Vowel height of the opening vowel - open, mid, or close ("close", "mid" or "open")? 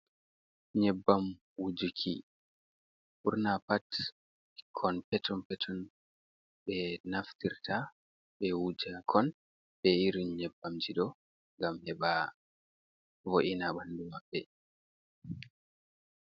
mid